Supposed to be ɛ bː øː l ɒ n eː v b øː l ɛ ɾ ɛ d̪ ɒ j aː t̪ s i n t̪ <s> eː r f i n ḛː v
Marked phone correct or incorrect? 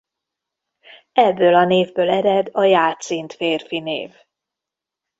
incorrect